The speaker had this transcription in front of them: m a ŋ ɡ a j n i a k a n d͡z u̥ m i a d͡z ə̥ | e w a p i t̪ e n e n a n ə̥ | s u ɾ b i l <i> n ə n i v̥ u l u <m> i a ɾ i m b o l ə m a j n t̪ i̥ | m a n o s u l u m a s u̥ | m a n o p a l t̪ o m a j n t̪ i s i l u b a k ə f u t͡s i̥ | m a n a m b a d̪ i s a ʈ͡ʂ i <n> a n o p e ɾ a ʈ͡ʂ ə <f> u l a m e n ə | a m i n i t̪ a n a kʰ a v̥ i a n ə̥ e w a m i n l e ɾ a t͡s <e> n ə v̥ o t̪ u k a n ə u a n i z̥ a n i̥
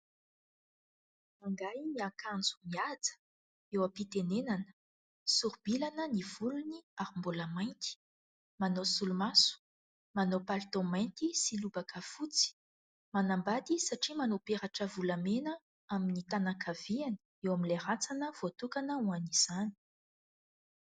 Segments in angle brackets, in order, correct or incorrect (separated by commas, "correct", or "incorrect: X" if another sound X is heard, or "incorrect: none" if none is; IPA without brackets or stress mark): incorrect: a, incorrect: n, incorrect: m, incorrect: v, incorrect: a